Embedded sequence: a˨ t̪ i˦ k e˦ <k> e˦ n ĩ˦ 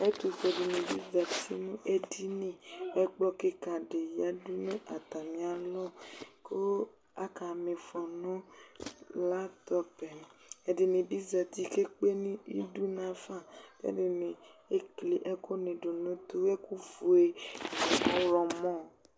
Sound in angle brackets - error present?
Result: yes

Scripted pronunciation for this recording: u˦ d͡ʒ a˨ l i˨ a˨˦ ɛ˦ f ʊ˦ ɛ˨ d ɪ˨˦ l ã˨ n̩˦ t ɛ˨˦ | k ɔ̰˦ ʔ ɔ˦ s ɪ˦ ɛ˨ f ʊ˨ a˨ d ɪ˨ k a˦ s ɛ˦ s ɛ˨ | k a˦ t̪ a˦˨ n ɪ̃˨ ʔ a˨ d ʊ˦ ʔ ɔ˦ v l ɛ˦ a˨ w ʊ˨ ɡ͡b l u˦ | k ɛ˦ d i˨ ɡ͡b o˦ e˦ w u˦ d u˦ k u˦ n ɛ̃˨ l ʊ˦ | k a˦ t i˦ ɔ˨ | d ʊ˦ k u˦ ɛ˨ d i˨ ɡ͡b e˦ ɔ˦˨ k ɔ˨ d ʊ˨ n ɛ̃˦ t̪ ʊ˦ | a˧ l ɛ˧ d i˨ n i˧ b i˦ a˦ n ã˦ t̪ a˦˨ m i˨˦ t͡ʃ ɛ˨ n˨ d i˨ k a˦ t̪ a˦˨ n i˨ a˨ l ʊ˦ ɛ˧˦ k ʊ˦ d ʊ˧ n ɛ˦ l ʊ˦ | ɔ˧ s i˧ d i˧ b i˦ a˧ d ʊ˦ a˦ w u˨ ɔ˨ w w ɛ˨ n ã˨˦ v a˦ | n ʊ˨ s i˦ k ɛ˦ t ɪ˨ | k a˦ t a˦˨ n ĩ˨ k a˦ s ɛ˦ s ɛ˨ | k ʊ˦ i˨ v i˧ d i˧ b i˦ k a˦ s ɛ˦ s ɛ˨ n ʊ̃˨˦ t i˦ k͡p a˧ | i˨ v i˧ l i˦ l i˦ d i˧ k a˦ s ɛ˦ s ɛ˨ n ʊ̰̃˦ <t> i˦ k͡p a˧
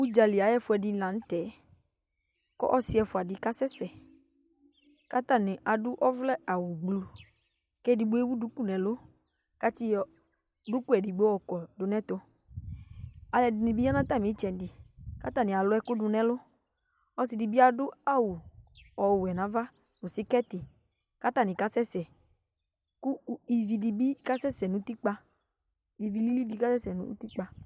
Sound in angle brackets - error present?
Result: no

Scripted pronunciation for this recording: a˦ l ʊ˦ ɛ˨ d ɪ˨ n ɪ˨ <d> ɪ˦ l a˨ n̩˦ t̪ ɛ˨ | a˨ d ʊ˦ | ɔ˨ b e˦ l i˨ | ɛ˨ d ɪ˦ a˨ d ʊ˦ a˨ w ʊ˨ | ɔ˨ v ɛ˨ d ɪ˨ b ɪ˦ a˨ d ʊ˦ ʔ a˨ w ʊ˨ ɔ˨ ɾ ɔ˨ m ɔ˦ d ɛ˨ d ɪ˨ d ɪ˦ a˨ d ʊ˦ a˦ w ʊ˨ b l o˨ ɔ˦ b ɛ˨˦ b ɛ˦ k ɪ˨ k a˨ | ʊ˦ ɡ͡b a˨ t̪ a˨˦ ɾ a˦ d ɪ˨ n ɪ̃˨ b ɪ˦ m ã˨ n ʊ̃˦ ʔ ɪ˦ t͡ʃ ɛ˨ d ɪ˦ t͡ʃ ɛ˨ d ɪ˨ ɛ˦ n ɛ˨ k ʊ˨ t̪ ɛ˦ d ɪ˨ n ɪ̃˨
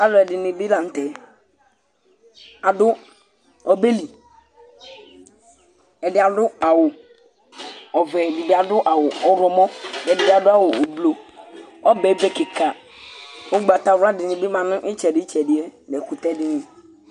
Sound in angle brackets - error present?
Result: yes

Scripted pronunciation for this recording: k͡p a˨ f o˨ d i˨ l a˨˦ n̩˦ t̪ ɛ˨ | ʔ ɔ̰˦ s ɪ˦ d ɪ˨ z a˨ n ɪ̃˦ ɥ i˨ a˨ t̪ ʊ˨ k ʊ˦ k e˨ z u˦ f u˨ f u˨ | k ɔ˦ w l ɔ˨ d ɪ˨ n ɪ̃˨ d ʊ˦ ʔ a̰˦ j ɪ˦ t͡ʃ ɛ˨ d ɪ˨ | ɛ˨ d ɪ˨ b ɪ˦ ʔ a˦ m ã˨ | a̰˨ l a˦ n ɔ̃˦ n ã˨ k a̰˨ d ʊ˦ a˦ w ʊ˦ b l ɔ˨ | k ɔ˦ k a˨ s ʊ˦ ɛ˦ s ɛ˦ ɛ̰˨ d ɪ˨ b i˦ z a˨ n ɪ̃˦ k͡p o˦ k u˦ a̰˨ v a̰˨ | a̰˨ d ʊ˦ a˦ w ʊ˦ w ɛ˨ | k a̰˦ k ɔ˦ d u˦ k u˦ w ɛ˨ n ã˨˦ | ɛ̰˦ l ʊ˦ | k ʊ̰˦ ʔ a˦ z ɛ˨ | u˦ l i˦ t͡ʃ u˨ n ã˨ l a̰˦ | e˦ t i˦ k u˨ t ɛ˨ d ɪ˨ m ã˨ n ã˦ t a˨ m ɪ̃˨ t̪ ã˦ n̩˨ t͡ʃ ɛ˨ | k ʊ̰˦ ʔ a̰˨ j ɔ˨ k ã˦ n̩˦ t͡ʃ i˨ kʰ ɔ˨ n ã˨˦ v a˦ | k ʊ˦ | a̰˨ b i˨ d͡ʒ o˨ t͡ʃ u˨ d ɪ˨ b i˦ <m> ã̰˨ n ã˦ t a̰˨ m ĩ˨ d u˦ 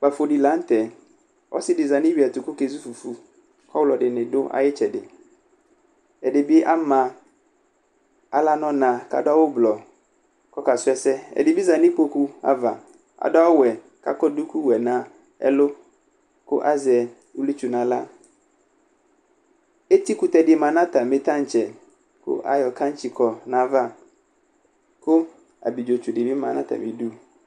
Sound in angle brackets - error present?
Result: no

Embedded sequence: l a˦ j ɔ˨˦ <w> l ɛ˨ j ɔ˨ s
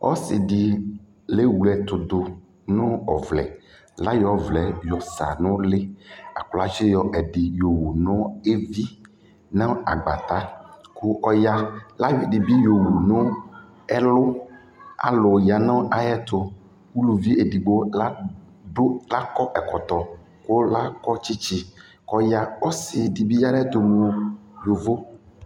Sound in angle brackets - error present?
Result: yes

